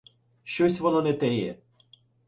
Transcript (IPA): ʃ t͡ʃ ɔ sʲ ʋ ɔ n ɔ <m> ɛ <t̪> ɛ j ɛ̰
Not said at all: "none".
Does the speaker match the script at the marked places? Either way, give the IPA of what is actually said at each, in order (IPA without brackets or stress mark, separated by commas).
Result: n, t̪